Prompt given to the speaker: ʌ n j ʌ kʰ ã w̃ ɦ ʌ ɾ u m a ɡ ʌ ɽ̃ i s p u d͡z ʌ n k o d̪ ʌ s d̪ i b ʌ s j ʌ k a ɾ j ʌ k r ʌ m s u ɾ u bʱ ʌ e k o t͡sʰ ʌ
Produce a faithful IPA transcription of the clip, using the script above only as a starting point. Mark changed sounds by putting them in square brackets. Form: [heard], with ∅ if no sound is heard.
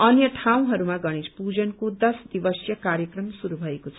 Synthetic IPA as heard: ʌ n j ʌ [ʈʰ] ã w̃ ɦ ʌ ɾ u m a ɡ ʌ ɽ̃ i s p u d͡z ʌ n k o d̪ ʌ s d̪ i b ʌ s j ʌ k a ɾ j ʌ k r ʌ m s u ɾ u bʱ ʌ e k o t͡sʰ ʌ